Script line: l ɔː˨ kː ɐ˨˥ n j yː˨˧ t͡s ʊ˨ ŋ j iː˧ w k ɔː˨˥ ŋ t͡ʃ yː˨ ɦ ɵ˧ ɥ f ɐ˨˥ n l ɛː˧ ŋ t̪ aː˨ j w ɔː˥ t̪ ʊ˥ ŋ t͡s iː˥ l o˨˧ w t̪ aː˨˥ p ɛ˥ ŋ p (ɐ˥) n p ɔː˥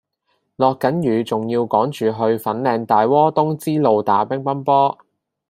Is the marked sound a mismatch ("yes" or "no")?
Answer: no